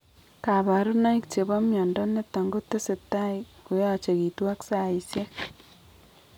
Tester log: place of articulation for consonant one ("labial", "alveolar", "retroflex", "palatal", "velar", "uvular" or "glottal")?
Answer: velar